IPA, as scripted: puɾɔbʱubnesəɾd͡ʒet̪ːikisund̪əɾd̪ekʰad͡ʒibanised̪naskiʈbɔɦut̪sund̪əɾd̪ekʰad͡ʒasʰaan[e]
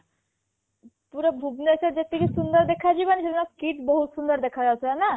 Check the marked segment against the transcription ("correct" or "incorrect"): incorrect